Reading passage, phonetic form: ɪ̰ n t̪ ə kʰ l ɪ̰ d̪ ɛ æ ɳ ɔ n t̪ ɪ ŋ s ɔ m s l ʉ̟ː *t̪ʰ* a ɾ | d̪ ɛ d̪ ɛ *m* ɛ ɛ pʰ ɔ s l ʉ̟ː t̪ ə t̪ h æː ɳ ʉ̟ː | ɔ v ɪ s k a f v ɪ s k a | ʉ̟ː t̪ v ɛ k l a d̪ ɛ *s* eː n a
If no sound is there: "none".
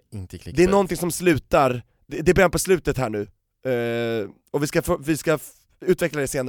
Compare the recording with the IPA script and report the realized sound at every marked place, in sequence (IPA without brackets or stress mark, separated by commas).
t̪, b, s